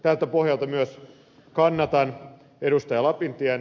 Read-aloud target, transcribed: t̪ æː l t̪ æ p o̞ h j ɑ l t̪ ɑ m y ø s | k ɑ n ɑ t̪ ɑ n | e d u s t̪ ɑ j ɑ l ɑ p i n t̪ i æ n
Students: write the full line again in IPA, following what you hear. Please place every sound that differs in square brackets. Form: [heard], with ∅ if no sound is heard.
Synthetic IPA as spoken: t̪ [æ] l t̪ æ p o̞ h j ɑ l t̪ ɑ m y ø s | k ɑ [nː] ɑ t̪ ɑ n | e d u s t̪ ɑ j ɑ l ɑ p i n t̪ i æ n

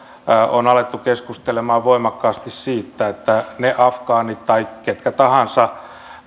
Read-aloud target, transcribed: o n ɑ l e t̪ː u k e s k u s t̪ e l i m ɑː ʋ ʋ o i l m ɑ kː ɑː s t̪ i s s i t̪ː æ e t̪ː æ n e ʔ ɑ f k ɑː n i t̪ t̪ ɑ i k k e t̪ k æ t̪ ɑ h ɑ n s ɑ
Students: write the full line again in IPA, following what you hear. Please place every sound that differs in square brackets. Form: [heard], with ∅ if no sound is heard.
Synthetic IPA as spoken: o n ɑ l e t̪ː u k e s k u s t̪ e l [e] m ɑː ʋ ʋ o i [∅] m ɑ kː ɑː s t̪ i s s [iː] t̪ː æ e t̪ː æ n e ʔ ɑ f k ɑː n i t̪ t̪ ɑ i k k e t̪ k æ t̪ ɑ h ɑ n s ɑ

